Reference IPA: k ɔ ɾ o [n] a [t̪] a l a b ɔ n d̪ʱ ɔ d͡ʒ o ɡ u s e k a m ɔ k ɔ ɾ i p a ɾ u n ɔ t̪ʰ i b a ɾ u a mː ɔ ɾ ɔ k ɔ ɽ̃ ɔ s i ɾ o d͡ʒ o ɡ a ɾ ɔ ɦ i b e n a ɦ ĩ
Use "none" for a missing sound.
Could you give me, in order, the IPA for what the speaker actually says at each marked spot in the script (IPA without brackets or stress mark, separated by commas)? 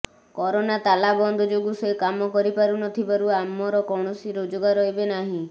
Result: n, t̪